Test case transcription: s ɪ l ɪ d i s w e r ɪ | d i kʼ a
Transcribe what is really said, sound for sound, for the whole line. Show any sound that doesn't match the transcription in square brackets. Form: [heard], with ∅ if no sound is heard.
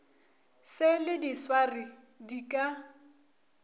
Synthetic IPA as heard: s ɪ l ɪ d i s w [a] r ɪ | d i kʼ a